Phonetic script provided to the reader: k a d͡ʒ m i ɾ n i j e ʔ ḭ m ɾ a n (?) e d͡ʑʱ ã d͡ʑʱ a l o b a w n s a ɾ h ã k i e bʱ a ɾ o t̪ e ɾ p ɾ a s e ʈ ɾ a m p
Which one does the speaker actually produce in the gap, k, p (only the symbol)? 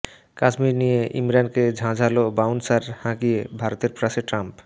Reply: k